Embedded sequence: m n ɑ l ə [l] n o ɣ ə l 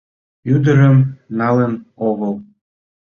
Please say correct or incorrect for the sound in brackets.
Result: incorrect